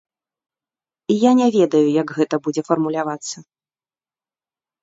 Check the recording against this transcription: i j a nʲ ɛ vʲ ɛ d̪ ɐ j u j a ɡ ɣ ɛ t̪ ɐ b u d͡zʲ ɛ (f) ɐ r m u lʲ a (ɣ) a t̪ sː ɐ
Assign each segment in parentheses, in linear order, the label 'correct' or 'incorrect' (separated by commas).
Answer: correct, incorrect